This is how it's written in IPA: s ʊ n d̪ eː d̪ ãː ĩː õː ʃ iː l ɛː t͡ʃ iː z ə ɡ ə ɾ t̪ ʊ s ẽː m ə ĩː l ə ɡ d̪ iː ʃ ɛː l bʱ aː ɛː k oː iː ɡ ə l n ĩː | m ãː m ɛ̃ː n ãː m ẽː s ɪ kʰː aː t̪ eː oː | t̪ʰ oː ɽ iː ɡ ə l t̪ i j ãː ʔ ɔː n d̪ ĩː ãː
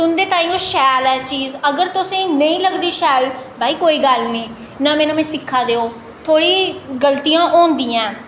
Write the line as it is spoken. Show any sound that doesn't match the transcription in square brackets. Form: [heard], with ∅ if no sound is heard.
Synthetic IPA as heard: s ʊ n d̪ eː [t̪] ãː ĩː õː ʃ [ɛː] l ɛː t͡ʃ iː z ə ɡ ə ɾ t̪ ʊ s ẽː [n] ə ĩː l ə ɡ d̪ iː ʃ ɛː l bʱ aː [iː] k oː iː ɡ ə l n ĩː | [n] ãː m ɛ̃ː n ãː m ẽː s ɪ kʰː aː [d̪] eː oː | t̪ʰ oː ɽ iː ɡ ə l t̪ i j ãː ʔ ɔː n d̪ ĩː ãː